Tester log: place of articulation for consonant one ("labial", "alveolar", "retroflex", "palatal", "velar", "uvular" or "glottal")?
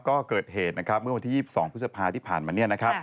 velar